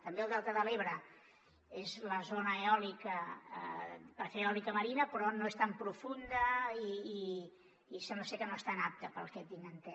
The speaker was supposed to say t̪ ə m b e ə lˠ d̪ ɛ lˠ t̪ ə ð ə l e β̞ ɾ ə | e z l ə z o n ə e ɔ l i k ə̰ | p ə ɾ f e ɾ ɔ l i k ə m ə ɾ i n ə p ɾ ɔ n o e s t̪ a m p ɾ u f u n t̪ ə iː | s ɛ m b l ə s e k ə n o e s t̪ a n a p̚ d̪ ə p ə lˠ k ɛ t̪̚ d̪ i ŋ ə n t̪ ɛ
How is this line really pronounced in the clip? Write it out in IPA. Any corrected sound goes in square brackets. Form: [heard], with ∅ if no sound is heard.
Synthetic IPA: t̪ ə m b e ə lˠ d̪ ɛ lˠ t̪ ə ð ə l e β̞ ɾ ə | e z l ə z o n ə e ɔ l i k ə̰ | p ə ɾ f e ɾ ɔ l i k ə m ə ɾ i n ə p ɾ ɔ n o e s t̪ a m p ɾ u f u n [d̪] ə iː | s ɛ m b l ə s e k ə n o e s t̪ a n a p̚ [t̪] ə p ə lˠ k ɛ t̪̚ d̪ i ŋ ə n t̪ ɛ